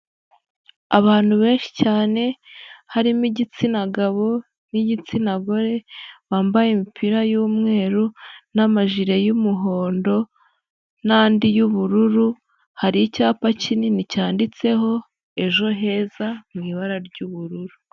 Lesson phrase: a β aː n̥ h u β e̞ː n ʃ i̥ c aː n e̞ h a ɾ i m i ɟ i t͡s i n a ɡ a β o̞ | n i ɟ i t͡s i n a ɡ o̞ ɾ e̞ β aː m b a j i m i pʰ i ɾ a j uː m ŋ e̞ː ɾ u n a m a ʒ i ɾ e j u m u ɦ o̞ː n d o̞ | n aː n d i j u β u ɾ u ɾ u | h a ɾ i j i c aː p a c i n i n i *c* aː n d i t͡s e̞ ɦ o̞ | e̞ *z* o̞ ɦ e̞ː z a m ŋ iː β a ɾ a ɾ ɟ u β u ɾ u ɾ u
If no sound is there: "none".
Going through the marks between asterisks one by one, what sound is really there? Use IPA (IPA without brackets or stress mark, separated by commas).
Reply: c, ʒ